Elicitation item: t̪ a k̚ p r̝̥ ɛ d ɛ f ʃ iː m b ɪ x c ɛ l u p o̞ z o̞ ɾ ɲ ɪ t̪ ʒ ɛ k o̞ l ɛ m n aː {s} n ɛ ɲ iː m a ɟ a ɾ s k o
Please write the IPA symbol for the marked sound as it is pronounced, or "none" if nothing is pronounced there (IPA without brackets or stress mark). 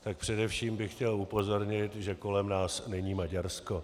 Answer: s